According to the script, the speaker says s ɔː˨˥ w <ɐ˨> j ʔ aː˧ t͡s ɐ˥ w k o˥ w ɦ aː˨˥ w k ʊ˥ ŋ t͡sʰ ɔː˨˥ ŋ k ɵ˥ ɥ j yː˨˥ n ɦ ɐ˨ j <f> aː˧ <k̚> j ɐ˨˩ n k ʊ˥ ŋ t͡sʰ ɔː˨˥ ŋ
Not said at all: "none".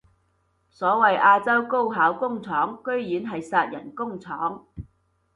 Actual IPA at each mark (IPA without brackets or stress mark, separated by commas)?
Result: ɐ˨, s, t̚